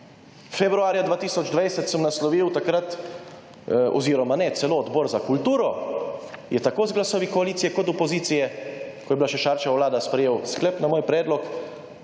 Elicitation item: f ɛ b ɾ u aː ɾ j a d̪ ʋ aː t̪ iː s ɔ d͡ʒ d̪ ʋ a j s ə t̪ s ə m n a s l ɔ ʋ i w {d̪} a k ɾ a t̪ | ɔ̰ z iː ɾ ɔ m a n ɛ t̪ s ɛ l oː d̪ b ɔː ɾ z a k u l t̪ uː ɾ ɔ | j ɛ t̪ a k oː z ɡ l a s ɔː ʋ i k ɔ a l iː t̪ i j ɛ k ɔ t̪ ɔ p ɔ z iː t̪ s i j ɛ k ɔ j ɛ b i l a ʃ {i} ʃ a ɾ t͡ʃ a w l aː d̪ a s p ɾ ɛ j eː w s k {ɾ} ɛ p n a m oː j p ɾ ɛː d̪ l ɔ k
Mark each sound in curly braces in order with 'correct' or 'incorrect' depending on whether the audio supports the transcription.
incorrect: t̪, incorrect: ɛ, incorrect: l

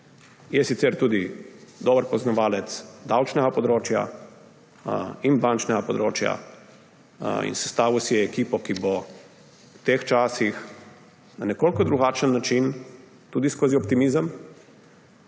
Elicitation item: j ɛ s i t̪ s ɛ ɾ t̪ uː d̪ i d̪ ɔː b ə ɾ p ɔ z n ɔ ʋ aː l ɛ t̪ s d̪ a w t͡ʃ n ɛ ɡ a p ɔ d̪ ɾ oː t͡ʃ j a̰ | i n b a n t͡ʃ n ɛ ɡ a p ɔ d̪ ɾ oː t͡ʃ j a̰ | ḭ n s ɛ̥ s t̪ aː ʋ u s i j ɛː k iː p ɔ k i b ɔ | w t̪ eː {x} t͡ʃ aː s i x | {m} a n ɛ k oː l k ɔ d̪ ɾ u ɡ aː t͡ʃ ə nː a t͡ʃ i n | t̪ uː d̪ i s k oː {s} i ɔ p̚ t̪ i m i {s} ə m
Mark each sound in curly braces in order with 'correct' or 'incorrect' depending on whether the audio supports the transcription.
correct, incorrect: n, incorrect: z, incorrect: z

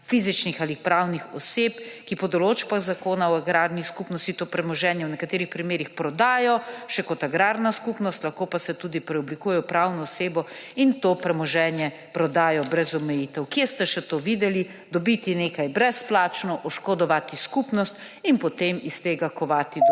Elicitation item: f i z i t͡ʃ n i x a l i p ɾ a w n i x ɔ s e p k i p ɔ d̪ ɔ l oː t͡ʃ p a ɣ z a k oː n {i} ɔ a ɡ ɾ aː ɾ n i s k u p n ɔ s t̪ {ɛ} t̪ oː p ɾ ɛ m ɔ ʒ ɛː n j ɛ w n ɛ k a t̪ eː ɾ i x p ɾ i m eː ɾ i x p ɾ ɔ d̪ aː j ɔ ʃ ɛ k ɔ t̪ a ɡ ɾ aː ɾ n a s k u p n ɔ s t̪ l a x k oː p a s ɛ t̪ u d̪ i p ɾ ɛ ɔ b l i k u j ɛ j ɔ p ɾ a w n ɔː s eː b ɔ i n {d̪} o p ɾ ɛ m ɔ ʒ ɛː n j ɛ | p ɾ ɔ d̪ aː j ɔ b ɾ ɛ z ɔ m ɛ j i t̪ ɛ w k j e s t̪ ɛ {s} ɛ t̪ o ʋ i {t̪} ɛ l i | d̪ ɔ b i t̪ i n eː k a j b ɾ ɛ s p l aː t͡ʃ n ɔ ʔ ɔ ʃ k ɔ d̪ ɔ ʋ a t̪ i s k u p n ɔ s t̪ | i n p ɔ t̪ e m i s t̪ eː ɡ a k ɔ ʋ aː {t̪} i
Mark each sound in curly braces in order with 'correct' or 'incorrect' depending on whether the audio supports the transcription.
incorrect: a, incorrect: i, incorrect: t̪, incorrect: ʃ, incorrect: d̪, correct

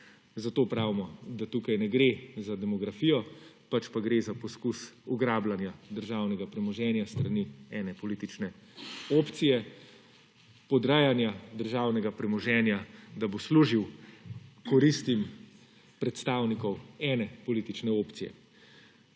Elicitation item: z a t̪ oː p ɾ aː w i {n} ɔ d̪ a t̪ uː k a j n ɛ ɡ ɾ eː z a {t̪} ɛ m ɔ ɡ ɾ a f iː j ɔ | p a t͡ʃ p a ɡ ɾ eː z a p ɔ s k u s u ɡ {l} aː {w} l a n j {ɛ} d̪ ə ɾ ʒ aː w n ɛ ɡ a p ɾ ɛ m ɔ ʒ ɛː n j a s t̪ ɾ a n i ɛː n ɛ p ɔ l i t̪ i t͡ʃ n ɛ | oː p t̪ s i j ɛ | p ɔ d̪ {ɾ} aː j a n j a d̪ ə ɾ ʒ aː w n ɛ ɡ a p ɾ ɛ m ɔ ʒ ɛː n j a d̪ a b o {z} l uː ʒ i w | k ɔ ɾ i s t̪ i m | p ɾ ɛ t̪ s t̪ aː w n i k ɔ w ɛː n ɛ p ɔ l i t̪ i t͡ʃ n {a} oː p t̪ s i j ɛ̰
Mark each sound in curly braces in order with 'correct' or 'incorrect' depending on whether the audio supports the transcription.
incorrect: m, incorrect: d̪, incorrect: ɾ, incorrect: b, incorrect: a, correct, incorrect: s, incorrect: ɛ

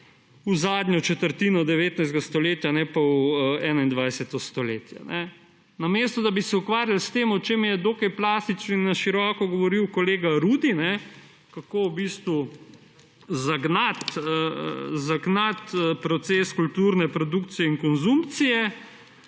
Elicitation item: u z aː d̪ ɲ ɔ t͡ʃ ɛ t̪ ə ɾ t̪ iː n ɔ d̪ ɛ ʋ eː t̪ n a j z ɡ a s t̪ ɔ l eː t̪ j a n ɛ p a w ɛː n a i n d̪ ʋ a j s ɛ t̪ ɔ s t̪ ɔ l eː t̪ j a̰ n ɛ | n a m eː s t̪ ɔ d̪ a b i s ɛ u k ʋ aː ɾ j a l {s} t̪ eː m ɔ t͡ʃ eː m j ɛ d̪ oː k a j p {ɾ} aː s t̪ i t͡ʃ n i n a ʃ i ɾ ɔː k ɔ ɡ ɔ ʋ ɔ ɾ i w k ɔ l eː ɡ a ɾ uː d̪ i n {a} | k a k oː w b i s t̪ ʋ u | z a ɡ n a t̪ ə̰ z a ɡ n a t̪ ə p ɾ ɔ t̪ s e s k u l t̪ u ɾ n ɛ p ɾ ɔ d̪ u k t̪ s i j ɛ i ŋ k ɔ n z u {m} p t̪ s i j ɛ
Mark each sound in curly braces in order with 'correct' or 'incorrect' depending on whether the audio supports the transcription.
correct, incorrect: l, incorrect: ɛ, correct

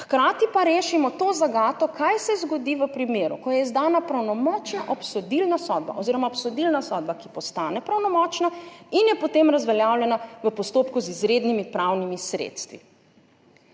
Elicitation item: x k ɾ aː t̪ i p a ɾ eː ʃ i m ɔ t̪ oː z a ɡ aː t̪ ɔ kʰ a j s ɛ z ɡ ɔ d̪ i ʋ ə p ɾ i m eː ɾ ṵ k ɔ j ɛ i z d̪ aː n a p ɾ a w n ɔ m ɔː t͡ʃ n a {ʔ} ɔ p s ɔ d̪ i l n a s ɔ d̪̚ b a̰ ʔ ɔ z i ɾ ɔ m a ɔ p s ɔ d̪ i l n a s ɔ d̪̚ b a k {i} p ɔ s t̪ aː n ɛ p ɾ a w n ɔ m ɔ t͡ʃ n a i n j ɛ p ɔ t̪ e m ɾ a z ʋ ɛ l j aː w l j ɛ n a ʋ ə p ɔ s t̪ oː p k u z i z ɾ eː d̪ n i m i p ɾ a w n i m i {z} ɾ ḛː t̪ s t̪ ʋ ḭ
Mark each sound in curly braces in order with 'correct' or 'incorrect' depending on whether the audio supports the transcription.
correct, correct, incorrect: s

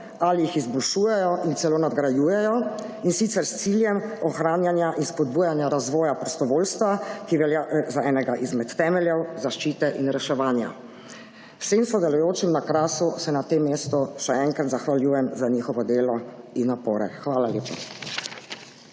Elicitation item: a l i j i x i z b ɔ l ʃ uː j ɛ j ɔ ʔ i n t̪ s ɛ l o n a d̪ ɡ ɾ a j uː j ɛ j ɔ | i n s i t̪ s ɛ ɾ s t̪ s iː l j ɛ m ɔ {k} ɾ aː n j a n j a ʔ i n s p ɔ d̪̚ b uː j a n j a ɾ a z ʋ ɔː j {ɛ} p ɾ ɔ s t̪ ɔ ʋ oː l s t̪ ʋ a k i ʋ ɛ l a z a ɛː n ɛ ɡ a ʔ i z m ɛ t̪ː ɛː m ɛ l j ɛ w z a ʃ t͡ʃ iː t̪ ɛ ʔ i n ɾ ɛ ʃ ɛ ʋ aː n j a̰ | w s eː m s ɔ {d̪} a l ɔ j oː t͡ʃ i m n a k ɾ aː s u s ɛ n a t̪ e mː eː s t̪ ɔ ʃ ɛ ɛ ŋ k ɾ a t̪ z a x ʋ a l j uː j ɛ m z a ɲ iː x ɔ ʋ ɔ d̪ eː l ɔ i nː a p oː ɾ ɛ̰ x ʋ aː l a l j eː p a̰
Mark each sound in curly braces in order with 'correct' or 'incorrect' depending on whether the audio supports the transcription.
incorrect: x, incorrect: a, correct

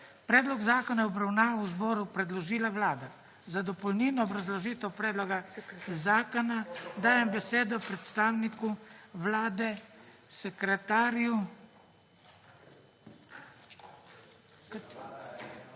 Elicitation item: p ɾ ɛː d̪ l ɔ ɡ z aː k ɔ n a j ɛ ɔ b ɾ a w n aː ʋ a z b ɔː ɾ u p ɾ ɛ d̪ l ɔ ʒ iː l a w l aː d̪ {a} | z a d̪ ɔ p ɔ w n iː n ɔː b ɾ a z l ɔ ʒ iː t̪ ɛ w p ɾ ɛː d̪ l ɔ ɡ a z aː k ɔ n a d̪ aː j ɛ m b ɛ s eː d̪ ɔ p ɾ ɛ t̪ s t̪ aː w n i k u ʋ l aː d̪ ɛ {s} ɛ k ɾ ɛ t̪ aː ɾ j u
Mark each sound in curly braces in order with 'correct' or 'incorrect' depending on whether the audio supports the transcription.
correct, correct

